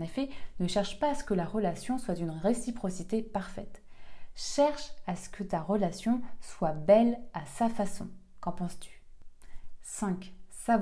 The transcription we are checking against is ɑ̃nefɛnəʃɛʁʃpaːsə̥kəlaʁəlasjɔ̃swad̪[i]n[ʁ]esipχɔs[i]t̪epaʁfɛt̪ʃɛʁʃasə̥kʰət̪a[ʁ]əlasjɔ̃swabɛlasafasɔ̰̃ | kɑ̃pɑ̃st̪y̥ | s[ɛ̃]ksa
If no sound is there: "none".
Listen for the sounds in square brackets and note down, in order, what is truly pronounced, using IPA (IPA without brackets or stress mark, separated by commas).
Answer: y, ʁ, i, ʁ, ɛ̃